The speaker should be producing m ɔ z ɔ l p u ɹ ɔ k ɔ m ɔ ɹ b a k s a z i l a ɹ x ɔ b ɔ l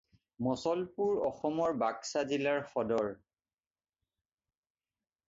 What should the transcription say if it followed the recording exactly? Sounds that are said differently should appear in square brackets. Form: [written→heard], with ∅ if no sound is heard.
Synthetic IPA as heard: m ɔ [z→s] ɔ l p u ɹ ɔ [k→x] ɔ m ɔ ɹ b a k s a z i l a ɹ x ɔ [b→d] ɔ [l→ɹ]